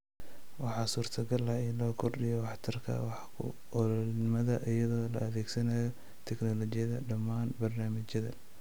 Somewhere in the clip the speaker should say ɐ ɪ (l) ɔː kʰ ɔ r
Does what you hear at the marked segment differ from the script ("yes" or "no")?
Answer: no